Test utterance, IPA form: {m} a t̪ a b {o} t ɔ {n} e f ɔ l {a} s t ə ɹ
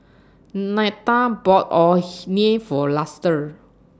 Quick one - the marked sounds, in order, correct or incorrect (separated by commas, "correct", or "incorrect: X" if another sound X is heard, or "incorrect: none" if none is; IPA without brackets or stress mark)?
incorrect: n, incorrect: ɔ, correct, correct